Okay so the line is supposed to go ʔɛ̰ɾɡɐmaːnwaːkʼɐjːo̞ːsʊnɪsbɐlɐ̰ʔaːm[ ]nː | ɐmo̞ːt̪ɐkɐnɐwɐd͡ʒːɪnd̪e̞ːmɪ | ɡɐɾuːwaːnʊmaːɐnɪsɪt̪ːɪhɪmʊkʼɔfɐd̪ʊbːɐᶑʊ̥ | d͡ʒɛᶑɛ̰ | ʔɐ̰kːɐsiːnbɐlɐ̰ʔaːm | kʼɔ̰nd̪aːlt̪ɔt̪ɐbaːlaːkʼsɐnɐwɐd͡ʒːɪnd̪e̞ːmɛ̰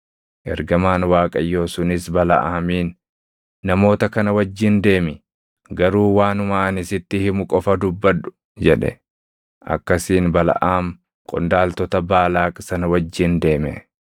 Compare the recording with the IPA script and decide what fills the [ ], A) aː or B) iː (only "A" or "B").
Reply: B